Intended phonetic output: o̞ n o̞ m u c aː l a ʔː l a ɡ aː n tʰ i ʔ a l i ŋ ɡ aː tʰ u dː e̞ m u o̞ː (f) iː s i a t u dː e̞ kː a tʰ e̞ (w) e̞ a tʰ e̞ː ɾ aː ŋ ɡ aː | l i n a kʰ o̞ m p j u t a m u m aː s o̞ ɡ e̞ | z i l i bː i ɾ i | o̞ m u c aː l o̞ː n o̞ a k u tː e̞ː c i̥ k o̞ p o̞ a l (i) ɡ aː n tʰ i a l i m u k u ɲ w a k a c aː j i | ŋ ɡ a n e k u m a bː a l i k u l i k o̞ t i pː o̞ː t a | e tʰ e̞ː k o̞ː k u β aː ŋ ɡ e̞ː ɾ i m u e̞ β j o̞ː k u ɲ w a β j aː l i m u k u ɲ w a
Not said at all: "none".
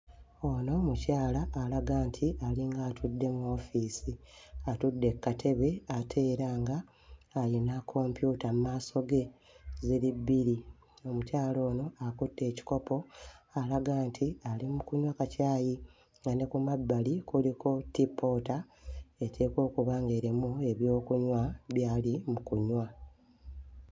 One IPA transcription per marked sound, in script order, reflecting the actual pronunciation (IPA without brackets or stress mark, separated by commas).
f, β, a